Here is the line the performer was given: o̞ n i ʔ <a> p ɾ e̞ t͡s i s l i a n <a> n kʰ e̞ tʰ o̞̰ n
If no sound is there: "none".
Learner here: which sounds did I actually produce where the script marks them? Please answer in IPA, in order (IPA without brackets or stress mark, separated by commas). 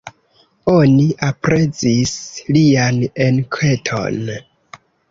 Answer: a, e